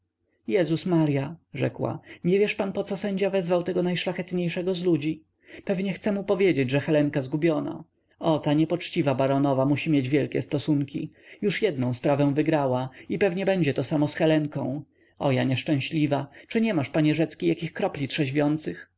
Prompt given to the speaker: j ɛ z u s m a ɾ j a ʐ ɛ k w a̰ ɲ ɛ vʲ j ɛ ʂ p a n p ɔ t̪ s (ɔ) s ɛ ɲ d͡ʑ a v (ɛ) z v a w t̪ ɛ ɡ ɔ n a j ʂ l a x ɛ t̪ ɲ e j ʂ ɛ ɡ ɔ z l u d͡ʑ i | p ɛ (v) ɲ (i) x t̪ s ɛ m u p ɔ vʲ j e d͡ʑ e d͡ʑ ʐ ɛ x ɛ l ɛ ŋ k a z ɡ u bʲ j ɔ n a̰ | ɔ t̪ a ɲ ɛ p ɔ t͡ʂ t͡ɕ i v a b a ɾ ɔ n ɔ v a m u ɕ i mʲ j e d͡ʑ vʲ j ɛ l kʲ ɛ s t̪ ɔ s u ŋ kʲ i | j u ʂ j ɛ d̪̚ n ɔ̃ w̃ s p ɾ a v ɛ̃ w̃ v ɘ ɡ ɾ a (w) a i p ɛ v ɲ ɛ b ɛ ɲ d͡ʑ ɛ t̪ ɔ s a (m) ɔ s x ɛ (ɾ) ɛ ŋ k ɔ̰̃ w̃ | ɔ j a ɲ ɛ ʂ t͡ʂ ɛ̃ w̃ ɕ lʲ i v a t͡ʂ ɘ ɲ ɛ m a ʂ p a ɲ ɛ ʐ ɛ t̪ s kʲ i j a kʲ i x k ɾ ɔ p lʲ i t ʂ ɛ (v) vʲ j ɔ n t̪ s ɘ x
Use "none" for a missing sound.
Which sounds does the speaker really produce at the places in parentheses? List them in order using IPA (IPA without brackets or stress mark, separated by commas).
ɔ, ɛ, v, ɛ, w, m, l, ʑ